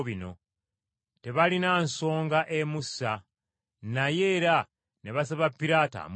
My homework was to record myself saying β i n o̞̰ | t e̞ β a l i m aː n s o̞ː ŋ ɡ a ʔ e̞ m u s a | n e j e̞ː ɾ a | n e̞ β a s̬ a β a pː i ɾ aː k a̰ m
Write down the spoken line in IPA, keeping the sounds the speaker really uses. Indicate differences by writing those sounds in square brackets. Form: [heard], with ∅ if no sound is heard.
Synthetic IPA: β i n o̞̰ | t e̞ β a l i [n] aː n s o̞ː ŋ ɡ a ʔ e̞ m u s a | n [a] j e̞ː ɾ a | n e̞ β a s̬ a β a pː i ɾ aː [t] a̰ m